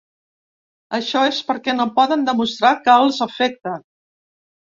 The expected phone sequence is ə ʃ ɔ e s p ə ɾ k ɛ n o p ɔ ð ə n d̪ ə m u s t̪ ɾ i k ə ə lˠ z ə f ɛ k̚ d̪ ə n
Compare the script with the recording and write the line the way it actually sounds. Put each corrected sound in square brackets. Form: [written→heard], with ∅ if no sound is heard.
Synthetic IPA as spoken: ə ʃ ɔ e s p ə ɾ k ɛ n o p ɔ ð ə n d̪ ə m u s t̪ ɾ [i→a] k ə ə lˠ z ə f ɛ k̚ [d̪→t̪] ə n